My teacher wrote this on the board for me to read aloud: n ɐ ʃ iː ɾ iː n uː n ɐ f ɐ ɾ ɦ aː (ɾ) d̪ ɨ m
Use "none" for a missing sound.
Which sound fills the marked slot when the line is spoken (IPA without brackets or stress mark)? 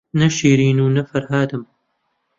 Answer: none